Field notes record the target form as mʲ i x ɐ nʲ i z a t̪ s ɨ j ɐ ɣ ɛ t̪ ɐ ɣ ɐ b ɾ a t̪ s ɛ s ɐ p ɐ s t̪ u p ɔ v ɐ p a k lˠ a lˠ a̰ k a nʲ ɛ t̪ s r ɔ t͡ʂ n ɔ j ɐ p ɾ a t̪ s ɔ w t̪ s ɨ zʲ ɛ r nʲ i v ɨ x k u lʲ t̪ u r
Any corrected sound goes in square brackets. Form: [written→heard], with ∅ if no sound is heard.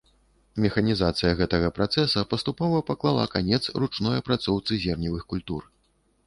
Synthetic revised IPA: mʲ [i→ɛ] x ɐ nʲ i z a t̪ s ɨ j ɐ ɣ ɛ t̪ ɐ ɣ ɐ [b→p] ɾ a t̪ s ɛ s ɐ p ɐ s t̪ u p ɔ v ɐ p a k lˠ a lˠ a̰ k a nʲ ɛ t̪ s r [ɔ→u] t͡ʂ n ɔ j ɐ p ɾ a t̪ s ɔ w t̪ s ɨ zʲ ɛ r nʲ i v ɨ x k u lʲ t̪ u r